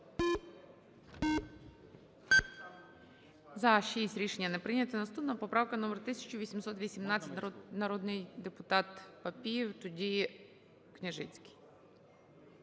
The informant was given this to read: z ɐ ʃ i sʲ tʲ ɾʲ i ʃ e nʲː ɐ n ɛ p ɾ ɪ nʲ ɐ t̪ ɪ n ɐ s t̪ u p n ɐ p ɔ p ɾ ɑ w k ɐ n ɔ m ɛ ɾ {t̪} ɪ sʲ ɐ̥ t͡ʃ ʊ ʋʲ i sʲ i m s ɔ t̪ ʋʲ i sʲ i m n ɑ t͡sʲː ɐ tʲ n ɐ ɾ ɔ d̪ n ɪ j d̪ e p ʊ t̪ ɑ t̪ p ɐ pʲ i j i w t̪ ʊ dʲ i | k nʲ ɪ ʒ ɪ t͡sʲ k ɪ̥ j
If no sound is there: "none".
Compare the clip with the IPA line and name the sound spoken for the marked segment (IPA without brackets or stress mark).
t̪